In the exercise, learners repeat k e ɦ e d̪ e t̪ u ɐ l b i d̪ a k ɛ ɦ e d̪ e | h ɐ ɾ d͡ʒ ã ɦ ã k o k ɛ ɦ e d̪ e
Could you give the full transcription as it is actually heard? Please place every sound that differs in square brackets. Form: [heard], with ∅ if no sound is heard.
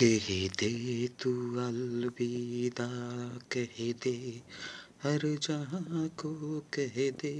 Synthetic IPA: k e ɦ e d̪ e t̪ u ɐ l b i d̪ a k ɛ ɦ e d̪ e | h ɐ ɾ d͡ʒ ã ɦ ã k o k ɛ ɦ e d̪ e